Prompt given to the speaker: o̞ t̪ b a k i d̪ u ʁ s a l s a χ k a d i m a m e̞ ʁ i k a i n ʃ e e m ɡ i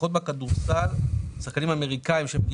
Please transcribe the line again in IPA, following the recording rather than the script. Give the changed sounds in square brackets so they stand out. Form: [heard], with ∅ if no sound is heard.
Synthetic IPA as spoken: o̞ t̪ b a k [a] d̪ u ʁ s a l s a χ k a [n] i m a m e̞ ʁ i k a i [m] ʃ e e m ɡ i

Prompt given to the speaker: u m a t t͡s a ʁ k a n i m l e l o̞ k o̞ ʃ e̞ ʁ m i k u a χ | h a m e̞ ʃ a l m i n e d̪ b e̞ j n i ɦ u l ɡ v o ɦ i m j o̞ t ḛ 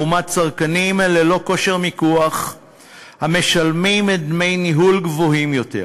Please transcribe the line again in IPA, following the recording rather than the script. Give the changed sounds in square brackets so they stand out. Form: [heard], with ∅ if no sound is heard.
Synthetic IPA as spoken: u m a t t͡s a ʁ k a n i m l e l o̞ k o̞ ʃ e̞ ʁ m i k u a χ | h a m e̞ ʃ a l m i [m] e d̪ [m] e̞ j n i ɦ u l ɡ v o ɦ i m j o̞ t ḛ

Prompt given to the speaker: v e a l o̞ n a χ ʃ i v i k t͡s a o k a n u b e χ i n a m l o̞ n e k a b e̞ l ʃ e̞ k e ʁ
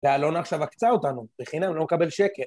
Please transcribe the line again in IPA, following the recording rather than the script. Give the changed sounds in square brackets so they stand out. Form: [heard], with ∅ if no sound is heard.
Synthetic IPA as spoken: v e a l o̞ n a χ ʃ [a] v [a] k t͡s a o [t] a n u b e χ i n a m l o̞ [m] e k a b e̞ l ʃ e̞ k e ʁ

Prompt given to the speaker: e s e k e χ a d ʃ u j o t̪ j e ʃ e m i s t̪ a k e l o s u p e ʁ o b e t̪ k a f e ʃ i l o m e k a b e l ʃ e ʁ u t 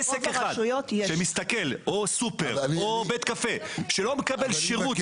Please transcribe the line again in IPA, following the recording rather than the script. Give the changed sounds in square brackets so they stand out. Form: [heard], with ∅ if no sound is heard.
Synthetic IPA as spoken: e s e k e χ a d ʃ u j o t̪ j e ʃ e m i s t̪ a k e l o s u p e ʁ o b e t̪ k a f e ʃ [e] l o m e k a b e l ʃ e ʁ u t

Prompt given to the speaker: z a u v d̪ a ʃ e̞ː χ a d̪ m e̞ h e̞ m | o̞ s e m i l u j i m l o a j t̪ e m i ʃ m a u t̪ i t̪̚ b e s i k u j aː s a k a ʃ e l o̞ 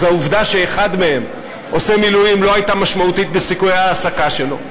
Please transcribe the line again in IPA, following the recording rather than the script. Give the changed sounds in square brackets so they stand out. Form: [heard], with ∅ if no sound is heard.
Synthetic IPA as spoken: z a u v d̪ a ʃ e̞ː χ a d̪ m e̞ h e̞ m | o̞ s e m i l u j i m l o a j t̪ [a] m [a] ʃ m a u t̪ i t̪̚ b e s i k u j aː s a k a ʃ e l o̞

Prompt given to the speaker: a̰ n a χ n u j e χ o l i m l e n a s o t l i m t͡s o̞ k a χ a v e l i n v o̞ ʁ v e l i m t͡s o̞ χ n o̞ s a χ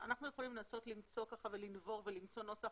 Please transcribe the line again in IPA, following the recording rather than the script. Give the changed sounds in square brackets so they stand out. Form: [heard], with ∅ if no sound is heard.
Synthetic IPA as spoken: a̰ n a χ n u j e χ o l i m l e n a s o t l i m t͡s o̞ k a χ a v e l i n v o̞ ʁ v e l i m t͡s o̞ [∅] n o̞ s a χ

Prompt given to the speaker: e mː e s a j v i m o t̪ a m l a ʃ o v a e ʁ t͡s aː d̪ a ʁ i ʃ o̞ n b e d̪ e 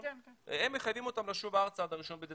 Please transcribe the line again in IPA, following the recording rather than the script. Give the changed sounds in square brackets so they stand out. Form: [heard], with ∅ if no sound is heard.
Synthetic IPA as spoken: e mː e [χ] a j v i m o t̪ a m l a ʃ [u] v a [a] ʁ t͡s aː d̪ a ʁ i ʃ o̞ n b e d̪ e

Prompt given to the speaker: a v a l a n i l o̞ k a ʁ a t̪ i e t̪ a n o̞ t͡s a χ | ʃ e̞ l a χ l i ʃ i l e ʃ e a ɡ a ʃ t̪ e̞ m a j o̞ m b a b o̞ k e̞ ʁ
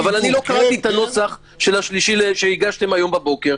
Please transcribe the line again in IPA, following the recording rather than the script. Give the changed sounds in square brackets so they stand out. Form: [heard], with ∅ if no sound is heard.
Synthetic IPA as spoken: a v a l a n i l o̞ k a ʁ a t̪ i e t̪ a n o̞ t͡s a χ | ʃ e̞ l a [ʃ] l i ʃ i l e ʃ e [i] ɡ a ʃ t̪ e̞ m a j o̞ m b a b o̞ k e̞ ʁ

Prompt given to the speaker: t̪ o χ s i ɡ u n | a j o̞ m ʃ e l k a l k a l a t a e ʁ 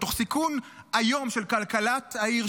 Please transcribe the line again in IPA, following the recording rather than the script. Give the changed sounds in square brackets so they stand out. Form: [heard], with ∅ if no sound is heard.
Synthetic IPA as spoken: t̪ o χ s i [k] u n | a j o̞ m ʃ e l k a l k a l a t a [i] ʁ

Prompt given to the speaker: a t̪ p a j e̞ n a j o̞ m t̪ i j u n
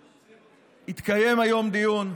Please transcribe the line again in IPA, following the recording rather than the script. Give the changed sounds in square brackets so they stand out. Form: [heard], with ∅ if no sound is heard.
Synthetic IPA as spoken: [i] t̪ [k] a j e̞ [m] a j o̞ m [d̪] i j u n

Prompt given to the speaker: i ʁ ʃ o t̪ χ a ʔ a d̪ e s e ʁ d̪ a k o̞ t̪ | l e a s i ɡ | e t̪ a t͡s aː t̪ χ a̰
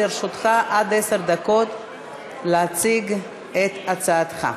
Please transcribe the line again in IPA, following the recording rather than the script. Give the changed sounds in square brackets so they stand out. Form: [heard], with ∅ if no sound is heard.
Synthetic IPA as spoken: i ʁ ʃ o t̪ χ a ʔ a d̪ e s e ʁ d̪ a k o̞ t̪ | l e a [t͡s] i ɡ | e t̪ a t͡s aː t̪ χ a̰

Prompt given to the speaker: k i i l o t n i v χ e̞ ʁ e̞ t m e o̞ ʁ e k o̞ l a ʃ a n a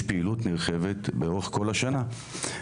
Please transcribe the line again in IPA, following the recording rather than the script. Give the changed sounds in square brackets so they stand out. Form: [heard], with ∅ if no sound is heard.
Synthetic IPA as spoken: [p] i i l [u] t n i [ʁ] χ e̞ [v] e̞ t [b] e o̞ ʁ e k o̞ l a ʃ a n a

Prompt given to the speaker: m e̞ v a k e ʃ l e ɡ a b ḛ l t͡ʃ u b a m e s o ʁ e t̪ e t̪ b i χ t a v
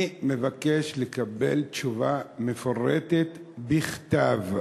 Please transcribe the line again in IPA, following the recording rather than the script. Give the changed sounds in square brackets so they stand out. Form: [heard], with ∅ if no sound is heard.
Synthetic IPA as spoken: m e̞ v a k e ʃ l e [k] a b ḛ l t͡ʃ u [v] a m e [f] o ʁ e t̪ e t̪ b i χ t a v

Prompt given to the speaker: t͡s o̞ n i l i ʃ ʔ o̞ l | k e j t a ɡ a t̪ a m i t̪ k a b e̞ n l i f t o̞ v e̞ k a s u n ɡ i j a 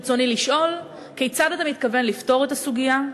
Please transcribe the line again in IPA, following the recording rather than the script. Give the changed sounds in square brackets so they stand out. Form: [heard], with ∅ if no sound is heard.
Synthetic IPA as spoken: t͡s o̞ n i l i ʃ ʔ o̞ l | k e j [t͡s] a [d] a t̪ a m i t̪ k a [v] e̞ n l i f t o̞ [ʁ] e̞ [t] a s u [∅] ɡ i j a

